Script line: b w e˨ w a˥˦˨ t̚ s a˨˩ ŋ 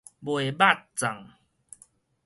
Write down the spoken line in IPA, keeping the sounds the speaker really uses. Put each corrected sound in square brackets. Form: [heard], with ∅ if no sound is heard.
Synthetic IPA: b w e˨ [b] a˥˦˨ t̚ [t͡s] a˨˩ ŋ

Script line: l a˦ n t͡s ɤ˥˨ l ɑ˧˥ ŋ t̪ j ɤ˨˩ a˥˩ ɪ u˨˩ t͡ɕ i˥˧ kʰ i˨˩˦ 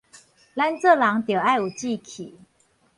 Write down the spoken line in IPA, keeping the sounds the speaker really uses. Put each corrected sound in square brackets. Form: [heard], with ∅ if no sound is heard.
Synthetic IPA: l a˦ n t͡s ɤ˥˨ l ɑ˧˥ ŋ t̪ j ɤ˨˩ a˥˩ ɪ u˨˩ t͡ɕ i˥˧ kʰ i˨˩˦

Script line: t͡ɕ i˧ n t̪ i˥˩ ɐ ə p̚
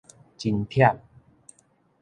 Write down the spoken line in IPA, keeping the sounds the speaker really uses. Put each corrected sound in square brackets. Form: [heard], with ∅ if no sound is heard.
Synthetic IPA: t͡ɕ i˧ n [t̪ʰ] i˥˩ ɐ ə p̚

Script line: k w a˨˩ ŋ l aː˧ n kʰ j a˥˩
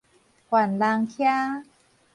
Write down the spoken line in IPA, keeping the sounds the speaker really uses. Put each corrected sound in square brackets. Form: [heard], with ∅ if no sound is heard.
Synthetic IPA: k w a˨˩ [n] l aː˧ [ŋ] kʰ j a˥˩

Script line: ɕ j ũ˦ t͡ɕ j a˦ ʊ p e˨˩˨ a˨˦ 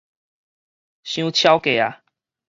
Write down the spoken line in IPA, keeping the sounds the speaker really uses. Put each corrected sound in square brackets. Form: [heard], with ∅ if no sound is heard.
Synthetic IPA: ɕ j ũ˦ [t͡ɕʰ] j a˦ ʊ [k] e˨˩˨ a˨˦

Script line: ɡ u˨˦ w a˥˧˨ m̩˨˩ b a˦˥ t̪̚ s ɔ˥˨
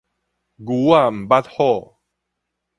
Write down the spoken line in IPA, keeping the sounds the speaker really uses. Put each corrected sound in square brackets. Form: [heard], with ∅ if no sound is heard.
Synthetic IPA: ɡ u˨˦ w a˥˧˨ m̩˨˩ b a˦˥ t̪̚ [h] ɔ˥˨

